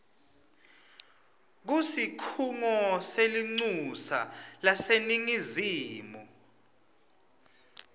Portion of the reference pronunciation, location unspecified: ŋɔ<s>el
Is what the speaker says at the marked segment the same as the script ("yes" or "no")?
yes